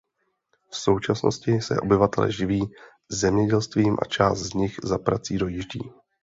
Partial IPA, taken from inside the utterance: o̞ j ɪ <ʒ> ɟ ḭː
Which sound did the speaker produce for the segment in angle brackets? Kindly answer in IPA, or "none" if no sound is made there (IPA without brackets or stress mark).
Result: ʒ